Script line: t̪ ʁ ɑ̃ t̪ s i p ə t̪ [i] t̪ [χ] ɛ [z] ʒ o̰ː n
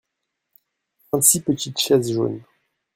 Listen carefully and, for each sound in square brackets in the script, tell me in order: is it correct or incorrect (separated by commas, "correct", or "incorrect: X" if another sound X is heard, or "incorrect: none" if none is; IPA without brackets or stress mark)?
correct, incorrect: ʃ, correct